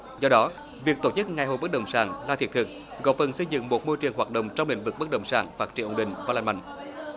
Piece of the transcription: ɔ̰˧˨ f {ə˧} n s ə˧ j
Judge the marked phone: incorrect: ə˨˩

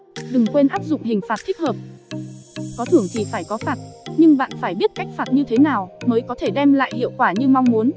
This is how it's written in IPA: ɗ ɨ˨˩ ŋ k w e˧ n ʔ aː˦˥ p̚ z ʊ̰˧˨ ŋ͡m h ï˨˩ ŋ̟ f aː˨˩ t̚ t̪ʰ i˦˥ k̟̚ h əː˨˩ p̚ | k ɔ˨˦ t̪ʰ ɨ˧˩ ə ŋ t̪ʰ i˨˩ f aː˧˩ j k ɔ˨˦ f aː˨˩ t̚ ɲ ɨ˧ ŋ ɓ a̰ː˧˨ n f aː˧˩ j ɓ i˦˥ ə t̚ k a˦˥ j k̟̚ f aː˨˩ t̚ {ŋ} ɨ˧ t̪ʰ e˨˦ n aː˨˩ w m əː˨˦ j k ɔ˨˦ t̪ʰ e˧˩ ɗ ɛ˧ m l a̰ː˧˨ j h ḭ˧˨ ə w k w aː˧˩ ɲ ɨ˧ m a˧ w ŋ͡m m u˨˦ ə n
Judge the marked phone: incorrect: ɲ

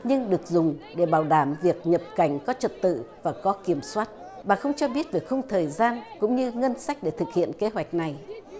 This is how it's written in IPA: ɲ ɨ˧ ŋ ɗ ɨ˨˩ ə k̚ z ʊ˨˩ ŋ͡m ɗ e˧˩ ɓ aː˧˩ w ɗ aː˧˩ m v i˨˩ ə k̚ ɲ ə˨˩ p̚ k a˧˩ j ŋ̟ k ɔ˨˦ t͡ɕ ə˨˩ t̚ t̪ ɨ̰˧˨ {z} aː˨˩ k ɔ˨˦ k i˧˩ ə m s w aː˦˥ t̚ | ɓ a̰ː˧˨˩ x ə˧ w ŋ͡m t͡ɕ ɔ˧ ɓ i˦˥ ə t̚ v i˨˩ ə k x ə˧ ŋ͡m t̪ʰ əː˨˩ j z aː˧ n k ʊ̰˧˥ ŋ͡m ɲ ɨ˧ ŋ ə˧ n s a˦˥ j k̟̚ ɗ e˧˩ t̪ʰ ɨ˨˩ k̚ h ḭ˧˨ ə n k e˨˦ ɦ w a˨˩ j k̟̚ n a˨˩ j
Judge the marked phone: incorrect: v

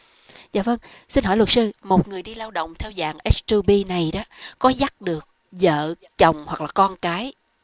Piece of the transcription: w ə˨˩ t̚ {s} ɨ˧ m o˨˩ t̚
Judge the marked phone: correct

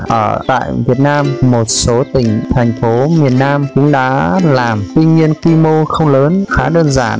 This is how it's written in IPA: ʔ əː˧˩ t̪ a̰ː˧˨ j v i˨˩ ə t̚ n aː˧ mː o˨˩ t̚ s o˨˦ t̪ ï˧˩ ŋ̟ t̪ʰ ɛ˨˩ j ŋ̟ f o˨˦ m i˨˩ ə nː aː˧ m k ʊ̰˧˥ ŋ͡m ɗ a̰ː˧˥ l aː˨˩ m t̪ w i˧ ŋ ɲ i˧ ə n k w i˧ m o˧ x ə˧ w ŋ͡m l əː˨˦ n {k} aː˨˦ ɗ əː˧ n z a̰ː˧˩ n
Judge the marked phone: incorrect: x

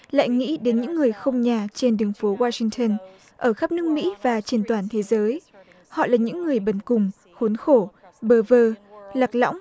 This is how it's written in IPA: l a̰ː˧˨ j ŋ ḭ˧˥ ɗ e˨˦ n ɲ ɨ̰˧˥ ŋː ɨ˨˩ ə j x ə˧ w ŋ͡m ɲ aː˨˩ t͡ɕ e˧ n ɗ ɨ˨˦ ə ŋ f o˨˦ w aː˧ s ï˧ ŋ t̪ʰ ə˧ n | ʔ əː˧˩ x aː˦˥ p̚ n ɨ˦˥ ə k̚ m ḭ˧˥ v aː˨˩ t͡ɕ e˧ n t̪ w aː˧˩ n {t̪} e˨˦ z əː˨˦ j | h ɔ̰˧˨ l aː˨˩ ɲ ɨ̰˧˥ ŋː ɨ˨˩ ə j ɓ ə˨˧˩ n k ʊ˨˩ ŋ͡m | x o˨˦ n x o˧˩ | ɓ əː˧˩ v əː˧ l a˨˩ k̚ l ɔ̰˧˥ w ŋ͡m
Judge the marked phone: incorrect: t̪ʰ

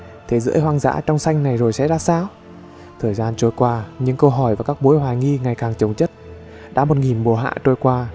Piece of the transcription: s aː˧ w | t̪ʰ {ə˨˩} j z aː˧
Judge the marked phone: incorrect: əː˨˩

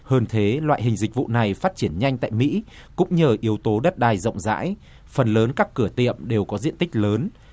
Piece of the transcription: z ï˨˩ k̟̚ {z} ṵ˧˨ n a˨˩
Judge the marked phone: incorrect: v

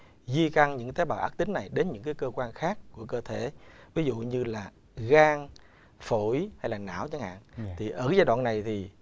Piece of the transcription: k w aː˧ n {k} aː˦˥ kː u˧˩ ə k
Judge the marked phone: incorrect: x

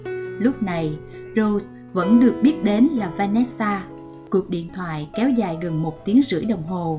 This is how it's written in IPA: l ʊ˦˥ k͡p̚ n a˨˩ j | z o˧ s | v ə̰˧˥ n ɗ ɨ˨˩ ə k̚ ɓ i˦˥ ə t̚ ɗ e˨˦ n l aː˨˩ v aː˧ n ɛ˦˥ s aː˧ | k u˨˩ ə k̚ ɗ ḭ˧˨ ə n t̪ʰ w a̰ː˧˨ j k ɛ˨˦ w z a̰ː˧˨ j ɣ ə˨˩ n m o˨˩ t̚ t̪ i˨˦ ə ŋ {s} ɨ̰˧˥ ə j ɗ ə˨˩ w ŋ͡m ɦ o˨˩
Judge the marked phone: incorrect: z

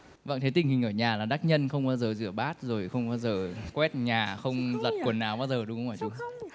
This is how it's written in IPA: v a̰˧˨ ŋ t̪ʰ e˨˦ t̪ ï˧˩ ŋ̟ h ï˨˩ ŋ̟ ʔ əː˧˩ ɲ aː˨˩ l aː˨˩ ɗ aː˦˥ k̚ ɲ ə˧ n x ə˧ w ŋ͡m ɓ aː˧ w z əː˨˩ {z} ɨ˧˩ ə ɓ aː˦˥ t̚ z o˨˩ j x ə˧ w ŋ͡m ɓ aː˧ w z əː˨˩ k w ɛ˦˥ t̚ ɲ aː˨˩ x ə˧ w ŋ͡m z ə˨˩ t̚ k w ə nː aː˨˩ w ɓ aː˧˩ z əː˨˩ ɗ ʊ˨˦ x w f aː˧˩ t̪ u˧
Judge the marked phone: correct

